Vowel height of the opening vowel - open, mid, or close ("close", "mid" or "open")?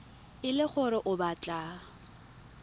close